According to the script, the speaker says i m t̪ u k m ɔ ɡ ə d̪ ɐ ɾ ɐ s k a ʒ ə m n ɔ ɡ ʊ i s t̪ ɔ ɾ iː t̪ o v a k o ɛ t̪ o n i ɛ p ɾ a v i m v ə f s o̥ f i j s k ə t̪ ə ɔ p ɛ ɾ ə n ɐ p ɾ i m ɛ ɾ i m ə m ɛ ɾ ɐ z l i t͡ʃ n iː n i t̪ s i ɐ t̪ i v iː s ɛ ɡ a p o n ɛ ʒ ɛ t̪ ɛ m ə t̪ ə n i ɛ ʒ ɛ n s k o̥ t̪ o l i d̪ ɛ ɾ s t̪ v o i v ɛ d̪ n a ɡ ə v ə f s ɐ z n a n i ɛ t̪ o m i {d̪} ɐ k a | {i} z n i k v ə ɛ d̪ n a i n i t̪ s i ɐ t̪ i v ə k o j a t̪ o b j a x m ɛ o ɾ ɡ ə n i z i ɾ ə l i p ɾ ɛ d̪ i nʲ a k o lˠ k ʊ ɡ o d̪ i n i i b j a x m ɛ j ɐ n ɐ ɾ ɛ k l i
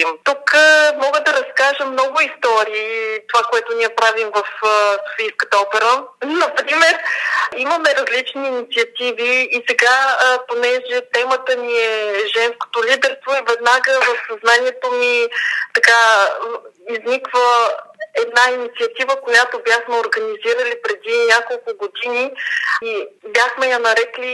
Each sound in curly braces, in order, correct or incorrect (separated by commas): incorrect, correct